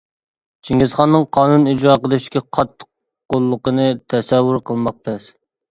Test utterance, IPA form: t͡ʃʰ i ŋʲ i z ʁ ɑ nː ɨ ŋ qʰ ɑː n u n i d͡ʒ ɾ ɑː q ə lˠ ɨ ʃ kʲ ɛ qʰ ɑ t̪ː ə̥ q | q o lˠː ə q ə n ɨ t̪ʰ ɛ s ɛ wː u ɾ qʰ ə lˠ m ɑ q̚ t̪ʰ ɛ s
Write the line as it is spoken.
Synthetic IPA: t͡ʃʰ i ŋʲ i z χ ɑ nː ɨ ŋ qʰ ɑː n u n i d͡ʒ ɾ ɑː q ə lˠ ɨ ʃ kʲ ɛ qʰ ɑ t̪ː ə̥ q | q o lˠː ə q ə n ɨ t̪ʰ ɛ s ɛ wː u ɾ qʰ ə lˠ m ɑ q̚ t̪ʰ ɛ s